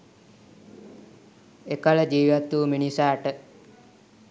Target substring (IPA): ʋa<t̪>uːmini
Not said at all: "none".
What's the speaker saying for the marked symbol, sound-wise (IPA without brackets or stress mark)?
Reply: t̪